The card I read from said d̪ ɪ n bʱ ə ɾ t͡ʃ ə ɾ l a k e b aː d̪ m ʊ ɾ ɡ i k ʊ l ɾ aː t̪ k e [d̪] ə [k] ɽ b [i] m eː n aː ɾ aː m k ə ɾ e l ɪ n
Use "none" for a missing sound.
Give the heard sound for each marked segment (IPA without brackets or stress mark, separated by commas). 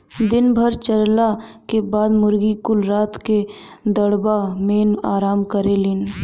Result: d̪, none, a